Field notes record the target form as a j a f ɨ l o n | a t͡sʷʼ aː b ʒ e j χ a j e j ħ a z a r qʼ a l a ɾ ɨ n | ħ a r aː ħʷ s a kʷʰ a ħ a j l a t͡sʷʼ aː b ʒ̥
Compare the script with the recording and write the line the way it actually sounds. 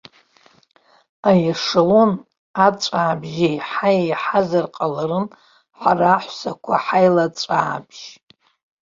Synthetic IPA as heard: a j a ʂ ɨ l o n | a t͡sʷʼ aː b ʒ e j ħ a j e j ħ a z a r qʼ a l a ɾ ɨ n | ħ a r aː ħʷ s a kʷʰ a ħ a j l a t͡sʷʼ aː b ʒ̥